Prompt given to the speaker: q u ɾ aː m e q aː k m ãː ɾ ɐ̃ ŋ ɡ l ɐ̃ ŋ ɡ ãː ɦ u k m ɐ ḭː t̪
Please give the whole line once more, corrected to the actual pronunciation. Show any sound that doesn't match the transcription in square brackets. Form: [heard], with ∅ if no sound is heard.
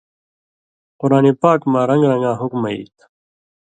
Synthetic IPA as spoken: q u ɾ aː [n] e [p] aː k m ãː ɾ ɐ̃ ŋ ɡ [ɾ] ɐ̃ ŋ ɡ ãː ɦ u k m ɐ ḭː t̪